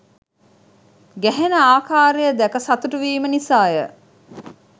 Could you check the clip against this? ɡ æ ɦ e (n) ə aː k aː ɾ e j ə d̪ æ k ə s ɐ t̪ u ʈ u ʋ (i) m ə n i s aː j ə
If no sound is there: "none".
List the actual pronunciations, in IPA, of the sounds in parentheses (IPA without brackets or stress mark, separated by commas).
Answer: n, iː